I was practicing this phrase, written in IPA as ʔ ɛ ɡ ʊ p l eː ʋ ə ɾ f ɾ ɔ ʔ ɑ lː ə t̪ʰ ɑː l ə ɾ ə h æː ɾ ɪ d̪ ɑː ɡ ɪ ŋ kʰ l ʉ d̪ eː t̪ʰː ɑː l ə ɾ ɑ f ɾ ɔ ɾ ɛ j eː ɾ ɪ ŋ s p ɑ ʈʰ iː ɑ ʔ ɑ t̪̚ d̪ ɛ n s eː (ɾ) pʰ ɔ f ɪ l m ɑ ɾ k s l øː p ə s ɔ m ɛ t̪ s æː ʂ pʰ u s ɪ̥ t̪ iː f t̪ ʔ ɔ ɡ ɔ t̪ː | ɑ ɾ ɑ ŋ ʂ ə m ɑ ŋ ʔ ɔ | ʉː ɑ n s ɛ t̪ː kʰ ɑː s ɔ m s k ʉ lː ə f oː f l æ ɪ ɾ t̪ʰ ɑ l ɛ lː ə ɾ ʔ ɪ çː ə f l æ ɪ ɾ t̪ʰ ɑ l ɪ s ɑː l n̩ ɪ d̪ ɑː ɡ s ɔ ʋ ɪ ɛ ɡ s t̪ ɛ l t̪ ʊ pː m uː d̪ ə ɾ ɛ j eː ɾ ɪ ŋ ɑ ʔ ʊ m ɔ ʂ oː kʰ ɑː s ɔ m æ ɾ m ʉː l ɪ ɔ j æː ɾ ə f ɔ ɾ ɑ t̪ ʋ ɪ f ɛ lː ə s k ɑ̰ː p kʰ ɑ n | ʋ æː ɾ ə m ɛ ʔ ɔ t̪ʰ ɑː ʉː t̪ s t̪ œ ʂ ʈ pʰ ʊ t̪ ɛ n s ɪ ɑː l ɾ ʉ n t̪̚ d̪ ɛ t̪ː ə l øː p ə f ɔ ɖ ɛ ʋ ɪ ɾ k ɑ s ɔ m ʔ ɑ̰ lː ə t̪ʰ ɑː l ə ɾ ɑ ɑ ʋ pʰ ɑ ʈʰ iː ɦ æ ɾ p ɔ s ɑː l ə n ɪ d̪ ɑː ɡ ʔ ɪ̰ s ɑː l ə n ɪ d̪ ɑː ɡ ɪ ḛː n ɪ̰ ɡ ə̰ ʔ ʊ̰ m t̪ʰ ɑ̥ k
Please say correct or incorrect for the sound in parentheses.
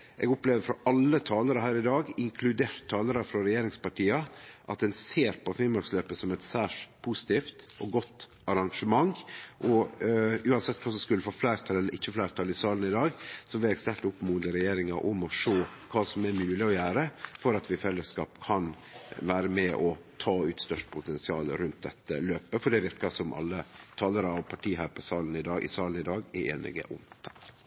correct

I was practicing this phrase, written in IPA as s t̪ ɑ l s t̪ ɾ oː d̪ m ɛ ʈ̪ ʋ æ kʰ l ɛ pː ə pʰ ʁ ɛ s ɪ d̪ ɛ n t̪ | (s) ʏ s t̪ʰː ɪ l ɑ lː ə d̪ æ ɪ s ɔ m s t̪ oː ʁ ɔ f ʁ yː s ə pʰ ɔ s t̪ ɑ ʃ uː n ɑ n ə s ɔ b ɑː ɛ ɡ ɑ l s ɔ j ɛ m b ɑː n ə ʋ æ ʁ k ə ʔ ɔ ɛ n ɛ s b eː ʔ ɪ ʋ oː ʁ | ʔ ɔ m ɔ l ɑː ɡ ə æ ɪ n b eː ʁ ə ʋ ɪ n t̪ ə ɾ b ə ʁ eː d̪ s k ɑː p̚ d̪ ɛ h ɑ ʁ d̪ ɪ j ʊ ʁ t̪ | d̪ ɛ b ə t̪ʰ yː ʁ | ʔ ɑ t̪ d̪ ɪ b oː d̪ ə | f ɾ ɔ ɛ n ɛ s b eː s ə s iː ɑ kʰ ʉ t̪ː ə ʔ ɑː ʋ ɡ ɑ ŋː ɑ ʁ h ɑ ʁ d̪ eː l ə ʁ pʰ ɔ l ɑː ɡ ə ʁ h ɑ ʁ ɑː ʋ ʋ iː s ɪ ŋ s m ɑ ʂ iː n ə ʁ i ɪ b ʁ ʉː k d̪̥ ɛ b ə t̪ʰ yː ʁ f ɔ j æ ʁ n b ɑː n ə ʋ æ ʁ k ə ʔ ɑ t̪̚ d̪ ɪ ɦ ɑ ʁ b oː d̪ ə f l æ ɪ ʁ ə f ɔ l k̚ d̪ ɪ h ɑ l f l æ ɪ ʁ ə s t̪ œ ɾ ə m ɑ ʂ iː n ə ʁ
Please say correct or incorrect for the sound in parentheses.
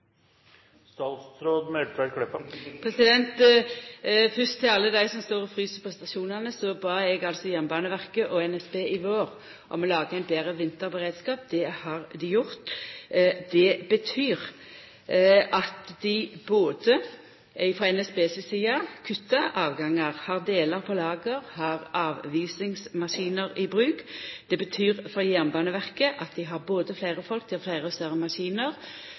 incorrect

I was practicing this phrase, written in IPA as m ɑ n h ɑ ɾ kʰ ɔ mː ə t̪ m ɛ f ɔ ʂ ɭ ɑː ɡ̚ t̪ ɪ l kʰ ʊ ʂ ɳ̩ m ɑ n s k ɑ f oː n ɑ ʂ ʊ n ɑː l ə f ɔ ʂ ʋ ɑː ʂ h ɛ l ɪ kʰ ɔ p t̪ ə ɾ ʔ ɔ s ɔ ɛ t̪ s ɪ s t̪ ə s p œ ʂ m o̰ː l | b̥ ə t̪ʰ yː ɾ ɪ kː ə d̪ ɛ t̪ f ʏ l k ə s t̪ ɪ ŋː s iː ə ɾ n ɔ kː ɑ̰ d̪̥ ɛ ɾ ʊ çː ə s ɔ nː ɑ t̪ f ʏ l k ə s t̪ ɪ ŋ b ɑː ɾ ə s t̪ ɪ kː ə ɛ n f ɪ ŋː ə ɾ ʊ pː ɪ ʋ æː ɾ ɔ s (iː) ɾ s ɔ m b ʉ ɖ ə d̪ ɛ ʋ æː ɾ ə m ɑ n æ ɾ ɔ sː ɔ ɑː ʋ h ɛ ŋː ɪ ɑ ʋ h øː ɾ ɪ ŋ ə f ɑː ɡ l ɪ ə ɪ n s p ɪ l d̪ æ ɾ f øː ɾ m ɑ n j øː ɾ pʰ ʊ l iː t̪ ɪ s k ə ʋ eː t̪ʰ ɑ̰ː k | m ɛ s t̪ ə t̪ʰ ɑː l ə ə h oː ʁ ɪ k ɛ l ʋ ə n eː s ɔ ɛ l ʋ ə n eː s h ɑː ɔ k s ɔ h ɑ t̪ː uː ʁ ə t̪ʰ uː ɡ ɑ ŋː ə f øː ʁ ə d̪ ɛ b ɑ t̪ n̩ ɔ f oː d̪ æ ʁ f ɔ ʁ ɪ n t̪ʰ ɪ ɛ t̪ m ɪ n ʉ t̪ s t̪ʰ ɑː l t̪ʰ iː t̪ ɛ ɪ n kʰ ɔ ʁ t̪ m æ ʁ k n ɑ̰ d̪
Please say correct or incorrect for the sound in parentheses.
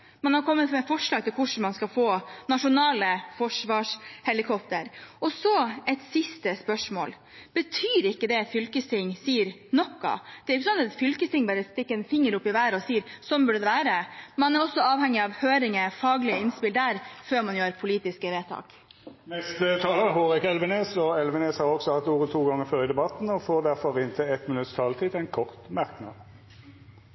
correct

